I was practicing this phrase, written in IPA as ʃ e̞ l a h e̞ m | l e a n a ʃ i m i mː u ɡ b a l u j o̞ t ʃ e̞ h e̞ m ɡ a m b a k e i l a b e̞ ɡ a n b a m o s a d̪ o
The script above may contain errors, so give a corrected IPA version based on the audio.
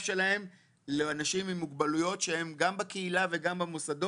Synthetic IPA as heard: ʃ e̞ l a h e̞ m | l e a n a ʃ i m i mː u ɡ b a l u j o̞ t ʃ e̞ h e̞ m ɡ a m b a k e i l a v e̞ ɡ a m b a m o s a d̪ o